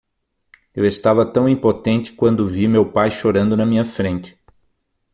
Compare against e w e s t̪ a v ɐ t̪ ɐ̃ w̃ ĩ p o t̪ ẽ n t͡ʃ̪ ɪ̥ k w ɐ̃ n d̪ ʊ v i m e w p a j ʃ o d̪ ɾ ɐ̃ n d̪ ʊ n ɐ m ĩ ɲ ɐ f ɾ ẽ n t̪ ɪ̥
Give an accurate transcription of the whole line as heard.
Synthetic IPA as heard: e w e s t̪ a v ɐ t̪ ɐ̃ w̃ ĩ p o t̪ ẽ n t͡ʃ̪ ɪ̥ k w ɐ̃ n d̪ ʊ v i m e w p a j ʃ o ɾ ɐ̃ n d̪ ʊ n ɐ m ĩ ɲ ɐ f ɾ ẽ n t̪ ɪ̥